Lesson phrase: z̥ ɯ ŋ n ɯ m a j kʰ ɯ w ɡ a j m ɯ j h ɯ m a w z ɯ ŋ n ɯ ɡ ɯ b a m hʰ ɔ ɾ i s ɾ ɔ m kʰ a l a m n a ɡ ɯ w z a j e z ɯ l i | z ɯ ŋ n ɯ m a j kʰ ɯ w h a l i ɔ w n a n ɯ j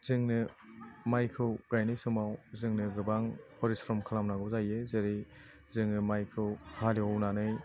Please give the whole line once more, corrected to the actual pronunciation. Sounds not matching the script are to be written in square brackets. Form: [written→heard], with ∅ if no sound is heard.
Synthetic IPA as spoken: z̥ ɯ ŋ n ɯ m a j kʰ ɯ w ɡ a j [m→n] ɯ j [h→s] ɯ m a w z ɯ ŋ n ɯ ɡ ɯ b a [m→ŋ] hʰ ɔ ɾ i s ɾ ɔ m kʰ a l a m n a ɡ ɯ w z a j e z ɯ [l→ɾ] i | z ɯ ŋ n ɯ m a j kʰ ɯ w h a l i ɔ w n a n ɯ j